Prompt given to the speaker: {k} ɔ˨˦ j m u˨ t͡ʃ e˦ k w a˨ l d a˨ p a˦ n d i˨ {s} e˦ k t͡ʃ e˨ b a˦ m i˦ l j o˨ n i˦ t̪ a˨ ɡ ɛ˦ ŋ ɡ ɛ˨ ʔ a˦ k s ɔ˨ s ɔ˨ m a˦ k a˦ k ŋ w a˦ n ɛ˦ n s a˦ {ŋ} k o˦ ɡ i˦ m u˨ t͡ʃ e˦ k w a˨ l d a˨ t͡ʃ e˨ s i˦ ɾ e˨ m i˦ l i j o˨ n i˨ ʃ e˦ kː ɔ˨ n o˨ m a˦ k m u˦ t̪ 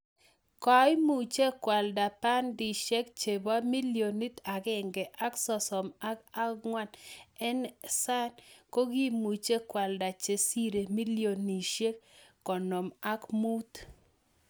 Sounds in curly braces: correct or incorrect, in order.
correct, incorrect: ʃ, incorrect: n

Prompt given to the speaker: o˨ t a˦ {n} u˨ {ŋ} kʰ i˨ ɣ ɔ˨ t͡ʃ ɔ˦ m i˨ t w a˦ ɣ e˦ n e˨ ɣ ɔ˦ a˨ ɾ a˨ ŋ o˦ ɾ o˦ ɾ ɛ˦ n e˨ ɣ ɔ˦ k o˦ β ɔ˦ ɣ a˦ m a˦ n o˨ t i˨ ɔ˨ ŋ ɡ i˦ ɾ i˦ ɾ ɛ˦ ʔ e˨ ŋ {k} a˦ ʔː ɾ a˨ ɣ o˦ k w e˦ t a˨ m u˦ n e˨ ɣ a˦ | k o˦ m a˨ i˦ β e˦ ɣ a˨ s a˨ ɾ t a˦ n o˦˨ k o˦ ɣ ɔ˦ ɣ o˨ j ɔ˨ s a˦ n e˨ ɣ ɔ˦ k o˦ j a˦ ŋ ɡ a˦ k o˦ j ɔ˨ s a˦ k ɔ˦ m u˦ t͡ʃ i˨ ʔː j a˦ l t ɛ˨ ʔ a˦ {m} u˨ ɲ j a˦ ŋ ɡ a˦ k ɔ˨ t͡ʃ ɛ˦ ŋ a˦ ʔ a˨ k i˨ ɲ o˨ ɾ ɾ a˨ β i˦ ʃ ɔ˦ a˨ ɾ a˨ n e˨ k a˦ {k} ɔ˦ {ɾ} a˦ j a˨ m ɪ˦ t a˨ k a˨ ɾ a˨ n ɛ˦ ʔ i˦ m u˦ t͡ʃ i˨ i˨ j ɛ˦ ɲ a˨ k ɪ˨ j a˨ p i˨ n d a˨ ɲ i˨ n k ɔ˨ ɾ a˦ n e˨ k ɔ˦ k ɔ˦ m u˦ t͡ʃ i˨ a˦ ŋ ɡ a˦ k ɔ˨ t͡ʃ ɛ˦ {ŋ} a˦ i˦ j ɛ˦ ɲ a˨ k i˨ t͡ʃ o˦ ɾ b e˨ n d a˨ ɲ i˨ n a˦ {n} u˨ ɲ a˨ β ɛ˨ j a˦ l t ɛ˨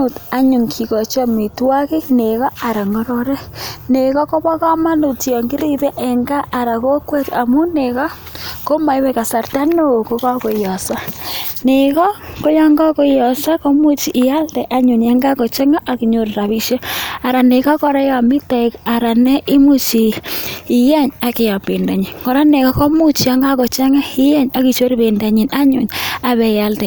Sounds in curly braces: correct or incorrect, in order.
incorrect: ɲ, correct, incorrect: ɡ, incorrect: ɲ, correct, correct, correct, incorrect: ɲ

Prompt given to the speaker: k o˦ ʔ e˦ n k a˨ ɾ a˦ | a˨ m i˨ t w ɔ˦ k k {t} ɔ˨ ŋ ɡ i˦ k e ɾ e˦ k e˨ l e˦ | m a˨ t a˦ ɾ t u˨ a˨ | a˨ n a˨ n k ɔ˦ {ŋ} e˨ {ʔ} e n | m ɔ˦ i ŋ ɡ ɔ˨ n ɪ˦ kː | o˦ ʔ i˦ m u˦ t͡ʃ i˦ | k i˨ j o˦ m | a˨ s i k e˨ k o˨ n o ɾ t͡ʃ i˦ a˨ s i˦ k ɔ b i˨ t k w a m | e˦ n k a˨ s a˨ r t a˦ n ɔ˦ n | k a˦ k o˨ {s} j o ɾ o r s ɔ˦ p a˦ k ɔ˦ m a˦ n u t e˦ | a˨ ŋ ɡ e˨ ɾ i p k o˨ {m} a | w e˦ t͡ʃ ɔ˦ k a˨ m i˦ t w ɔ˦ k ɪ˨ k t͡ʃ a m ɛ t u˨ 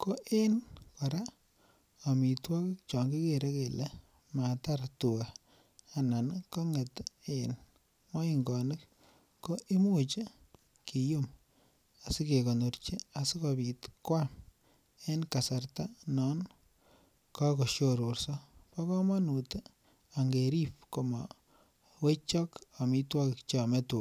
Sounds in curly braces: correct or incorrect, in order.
incorrect: t͡ʃ, correct, incorrect: t, incorrect: ʃ, correct

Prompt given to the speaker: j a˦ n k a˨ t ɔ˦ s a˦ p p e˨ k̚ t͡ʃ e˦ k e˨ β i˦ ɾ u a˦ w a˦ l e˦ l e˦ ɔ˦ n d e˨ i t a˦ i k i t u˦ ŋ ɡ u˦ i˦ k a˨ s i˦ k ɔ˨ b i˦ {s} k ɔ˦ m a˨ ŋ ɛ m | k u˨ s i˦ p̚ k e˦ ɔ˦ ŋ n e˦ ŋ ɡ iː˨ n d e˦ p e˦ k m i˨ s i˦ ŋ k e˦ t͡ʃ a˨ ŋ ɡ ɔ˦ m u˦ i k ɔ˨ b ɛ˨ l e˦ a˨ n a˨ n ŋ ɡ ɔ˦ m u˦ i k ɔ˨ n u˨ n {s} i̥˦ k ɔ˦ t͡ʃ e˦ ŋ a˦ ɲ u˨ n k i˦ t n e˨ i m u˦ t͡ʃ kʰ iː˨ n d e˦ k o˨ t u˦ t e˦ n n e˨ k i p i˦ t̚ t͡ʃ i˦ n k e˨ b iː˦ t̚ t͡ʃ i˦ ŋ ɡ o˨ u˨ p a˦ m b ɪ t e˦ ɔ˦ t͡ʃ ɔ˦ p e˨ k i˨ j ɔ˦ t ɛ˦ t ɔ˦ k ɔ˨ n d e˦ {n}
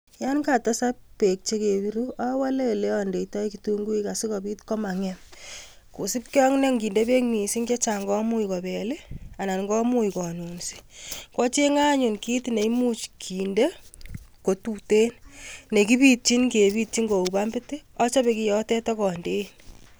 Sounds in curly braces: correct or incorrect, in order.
incorrect: t, correct, correct

